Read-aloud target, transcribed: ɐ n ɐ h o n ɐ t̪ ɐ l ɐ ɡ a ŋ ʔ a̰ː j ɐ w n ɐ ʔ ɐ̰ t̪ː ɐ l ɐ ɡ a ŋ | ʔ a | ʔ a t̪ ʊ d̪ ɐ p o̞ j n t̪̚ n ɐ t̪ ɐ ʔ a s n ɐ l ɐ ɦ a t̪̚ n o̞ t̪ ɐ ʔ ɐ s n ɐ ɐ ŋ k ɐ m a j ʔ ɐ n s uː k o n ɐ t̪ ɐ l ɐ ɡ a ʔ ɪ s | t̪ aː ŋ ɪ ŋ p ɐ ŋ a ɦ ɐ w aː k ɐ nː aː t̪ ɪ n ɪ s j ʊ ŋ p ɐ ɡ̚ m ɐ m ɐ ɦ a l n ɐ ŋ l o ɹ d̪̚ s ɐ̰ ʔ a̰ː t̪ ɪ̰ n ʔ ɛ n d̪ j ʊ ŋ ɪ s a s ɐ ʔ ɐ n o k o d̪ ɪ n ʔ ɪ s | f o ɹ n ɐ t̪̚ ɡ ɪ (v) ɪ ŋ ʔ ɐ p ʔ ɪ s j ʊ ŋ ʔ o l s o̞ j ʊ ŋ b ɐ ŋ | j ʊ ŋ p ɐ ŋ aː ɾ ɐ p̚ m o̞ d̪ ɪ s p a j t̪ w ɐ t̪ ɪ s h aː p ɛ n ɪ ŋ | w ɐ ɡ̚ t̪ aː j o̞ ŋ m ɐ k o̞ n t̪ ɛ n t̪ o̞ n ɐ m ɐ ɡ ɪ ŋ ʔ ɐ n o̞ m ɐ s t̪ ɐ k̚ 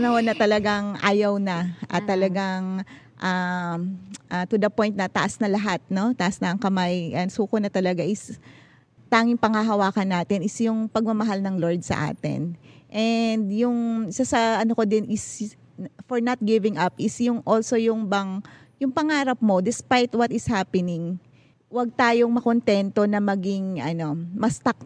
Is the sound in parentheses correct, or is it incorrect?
correct